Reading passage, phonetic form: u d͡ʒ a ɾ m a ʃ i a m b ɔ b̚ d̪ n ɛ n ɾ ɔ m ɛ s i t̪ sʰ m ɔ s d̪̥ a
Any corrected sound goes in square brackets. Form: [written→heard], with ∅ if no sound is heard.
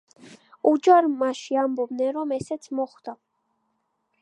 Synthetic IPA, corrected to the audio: u d͡ʒ a ɾ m a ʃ i a m b ɔ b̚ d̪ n ɛ n ɾ ɔ m ɛ s [i→ɛ] t̪ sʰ m ɔ [s→χ] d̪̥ a

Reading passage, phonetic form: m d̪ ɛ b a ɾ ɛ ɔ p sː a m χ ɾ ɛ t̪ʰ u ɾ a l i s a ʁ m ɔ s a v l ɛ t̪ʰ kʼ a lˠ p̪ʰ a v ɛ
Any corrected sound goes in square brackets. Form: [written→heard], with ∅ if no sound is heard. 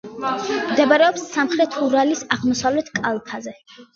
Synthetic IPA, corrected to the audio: m d̪ ɛ b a ɾ ɛ ɔ p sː a m χ ɾ ɛ t̪ʰ u ɾ a l i s a ʁ m ɔ s a v l ɛ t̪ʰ kʼ a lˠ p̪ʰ a [v→z] ɛ

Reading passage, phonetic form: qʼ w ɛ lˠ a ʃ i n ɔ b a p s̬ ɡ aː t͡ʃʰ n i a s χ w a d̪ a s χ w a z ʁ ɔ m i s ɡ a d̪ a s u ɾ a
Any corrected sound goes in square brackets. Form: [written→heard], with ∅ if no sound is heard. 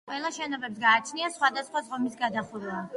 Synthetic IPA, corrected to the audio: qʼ w ɛ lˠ a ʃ [i→ɛ] n ɔ b [a→ɛ] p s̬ ɡ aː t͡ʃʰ n i a s χ w a d̪ a s χ w a z ʁ ɔ m i s ɡ a d̪ a [s→χ] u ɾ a

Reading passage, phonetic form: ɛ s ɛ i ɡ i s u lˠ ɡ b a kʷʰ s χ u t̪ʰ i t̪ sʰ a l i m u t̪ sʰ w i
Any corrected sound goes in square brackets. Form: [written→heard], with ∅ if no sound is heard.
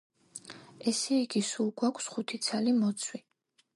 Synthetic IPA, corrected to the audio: ɛ s ɛ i ɡ i s u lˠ ɡ [b→w] a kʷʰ s χ u t̪ʰ i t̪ sʰ a l i m [u→ɔ] t̪ sʰ w i

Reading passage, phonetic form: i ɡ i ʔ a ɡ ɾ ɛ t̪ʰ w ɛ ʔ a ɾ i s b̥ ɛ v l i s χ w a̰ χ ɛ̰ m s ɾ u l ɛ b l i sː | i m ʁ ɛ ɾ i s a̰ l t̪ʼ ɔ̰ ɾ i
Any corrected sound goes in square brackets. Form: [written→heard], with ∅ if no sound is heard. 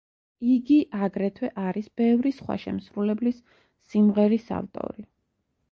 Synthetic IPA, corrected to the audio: i ɡ i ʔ a ɡ ɾ ɛ t̪ʰ w ɛ ʔ a ɾ i s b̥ ɛ v [l→ɾ] i s χ w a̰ [χ→ʃ] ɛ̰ m s ɾ u l ɛ b l i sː | i m ʁ ɛ ɾ i s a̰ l t̪ʼ ɔ̰ ɾ i

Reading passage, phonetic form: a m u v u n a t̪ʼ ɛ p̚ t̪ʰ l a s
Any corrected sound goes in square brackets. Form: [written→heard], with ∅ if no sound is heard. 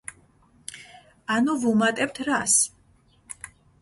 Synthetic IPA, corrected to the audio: a [m→n] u v u [n→m] a t̪ʼ ɛ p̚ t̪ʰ [l→ɾ] a s

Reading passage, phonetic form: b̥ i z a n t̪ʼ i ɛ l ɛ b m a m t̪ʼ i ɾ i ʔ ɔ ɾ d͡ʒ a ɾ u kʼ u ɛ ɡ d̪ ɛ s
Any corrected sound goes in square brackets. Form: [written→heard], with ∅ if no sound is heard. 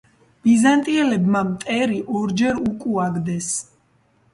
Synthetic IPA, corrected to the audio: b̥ i z a n t̪ʼ i ɛ l ɛ b m a m t̪ʼ [i→ɛ] ɾ i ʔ ɔ ɾ d͡ʒ [a→ɛ] ɾ u kʼ u [ɛ→a] ɡ d̪ ɛ s

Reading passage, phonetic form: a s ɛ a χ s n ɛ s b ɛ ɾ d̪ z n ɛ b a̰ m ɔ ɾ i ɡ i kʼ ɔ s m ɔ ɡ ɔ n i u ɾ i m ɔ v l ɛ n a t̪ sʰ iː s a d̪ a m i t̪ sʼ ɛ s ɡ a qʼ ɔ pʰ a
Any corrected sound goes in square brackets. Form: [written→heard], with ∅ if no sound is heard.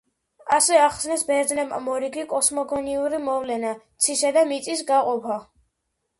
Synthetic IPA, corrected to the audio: a s ɛ a χ s n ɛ s b ɛ ɾ d̪ z n ɛ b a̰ m ɔ ɾ i ɡ i kʼ ɔ s m ɔ ɡ ɔ n i u ɾ i m ɔ v l ɛ n a t̪ sʰ [iː→i] s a d̪ a m i t̪ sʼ [ɛ→i] s ɡ a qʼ ɔ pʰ a

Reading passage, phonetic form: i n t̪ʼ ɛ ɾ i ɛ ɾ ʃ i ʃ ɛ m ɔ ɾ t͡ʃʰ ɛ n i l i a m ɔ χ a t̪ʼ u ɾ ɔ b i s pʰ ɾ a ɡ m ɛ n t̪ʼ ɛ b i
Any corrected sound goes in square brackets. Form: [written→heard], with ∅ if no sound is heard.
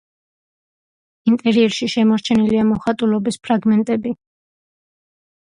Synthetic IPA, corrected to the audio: i n t̪ʼ ɛ ɾ i ɛ ɾ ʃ i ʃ ɛ m ɔ ɾ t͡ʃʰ ɛ n i l i a m ɔ χ a t̪ʼ u [ɾ→l] ɔ b i s pʰ ɾ a ɡ m ɛ n t̪ʼ ɛ b i

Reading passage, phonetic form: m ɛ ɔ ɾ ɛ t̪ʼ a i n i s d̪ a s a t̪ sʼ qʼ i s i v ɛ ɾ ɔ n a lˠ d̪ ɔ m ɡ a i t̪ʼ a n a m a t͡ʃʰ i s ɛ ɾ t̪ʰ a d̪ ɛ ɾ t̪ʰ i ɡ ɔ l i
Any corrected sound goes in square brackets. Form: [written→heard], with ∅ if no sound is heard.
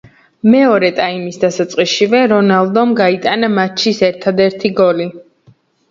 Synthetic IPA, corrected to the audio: m ɛ ɔ ɾ ɛ t̪ʼ a i [n→m] i s d̪ a s a t̪ sʼ qʼ i [s→ʃ] i v ɛ ɾ ɔ n a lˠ d̪ ɔ m ɡ a i t̪ʼ a n a m a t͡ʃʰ i s ɛ ɾ t̪ʰ a d̪ ɛ ɾ t̪ʰ i ɡ ɔ l i

